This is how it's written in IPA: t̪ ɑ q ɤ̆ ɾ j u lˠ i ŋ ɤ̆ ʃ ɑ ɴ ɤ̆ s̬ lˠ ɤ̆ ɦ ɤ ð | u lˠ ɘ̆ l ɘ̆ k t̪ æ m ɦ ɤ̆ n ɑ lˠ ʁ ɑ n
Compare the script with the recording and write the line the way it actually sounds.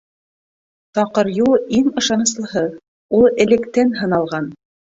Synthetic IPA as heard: t̪ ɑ q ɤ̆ ɾ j u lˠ i ŋ ɤ̆ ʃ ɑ n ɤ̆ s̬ lˠ ɤ̆ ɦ ɤ ð | u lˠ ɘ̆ l ɘ̆ k t̪ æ n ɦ ɤ̆ n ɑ lˠ ʁ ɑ n